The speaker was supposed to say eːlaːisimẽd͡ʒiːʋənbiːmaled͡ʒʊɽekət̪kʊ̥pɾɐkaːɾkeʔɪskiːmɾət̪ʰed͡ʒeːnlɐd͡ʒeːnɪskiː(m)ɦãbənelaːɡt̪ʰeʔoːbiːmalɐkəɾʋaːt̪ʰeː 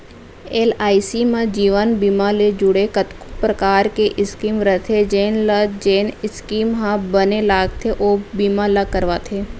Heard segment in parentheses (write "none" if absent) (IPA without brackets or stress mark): m